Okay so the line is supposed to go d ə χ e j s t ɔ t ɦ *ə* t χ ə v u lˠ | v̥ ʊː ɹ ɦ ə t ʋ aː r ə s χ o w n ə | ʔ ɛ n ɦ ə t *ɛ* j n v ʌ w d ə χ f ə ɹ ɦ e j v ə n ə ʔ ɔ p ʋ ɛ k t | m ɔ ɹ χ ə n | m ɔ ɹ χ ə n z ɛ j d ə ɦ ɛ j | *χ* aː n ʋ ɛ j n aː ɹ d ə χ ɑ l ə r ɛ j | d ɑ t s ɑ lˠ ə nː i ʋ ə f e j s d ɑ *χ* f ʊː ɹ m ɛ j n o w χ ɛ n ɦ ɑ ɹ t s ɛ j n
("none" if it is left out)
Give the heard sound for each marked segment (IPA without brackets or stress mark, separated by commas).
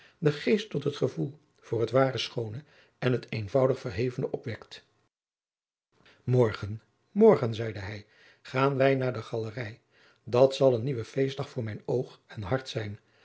ə, e, χ, χ